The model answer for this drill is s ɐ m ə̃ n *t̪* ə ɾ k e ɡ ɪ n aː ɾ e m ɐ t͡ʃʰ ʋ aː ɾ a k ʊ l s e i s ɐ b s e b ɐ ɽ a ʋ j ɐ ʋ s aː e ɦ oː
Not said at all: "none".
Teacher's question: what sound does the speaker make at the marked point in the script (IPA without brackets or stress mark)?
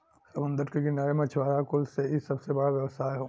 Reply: d̪